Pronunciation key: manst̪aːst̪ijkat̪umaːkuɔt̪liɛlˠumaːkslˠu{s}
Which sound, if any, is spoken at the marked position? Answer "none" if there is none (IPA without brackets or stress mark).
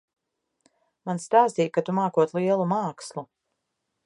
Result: none